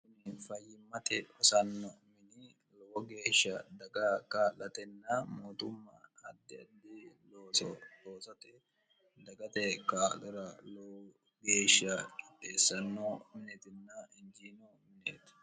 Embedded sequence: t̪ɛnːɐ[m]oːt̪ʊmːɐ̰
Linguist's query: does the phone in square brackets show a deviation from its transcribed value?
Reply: no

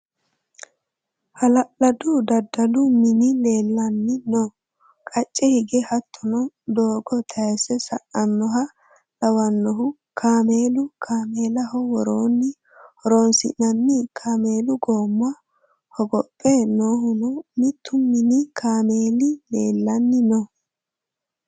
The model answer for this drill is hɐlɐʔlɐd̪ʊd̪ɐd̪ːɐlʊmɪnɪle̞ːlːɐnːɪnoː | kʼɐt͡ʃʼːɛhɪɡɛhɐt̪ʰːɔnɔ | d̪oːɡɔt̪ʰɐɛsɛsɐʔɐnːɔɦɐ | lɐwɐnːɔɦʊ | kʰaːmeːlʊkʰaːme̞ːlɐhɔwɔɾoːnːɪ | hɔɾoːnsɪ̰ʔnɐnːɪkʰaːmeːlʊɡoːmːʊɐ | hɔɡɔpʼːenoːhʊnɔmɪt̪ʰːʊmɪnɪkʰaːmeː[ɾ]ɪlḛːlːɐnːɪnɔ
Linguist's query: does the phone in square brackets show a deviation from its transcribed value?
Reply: yes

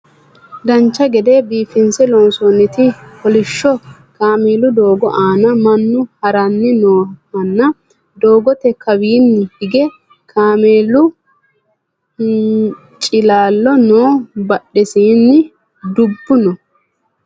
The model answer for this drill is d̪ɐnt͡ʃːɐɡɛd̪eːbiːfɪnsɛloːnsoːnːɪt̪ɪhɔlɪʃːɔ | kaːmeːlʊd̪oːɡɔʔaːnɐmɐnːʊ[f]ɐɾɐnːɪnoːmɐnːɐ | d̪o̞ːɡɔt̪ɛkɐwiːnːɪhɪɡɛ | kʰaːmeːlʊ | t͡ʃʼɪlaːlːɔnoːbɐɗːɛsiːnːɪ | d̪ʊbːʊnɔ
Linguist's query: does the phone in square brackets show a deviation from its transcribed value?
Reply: yes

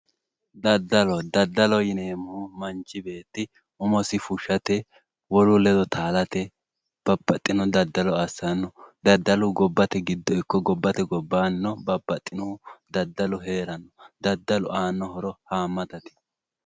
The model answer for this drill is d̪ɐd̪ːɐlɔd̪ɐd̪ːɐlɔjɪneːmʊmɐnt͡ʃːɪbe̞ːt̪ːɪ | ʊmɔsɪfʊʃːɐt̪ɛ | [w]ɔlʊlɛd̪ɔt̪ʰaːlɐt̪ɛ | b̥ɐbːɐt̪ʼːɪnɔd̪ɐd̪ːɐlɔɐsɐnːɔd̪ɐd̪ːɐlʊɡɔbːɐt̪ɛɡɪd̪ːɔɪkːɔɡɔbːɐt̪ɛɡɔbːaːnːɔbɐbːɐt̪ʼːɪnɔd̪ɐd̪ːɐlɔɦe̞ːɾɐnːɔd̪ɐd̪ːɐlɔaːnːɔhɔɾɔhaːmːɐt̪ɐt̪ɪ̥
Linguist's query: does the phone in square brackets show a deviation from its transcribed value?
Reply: no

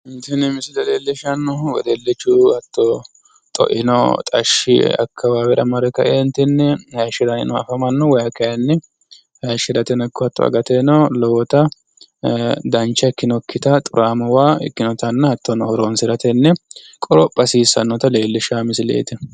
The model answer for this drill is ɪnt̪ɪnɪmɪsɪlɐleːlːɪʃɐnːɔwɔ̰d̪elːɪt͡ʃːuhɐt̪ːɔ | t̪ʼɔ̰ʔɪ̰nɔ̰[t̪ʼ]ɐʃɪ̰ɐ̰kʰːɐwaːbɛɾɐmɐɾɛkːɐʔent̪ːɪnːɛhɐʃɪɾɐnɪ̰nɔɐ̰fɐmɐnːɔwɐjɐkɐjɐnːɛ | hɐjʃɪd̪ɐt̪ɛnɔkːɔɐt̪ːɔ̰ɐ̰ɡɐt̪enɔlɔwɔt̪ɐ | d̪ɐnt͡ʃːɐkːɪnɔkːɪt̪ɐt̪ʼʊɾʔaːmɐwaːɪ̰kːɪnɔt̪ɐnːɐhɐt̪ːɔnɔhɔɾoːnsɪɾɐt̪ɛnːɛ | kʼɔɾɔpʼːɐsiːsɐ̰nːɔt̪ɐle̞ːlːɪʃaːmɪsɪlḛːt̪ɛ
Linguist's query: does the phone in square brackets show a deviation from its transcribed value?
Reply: no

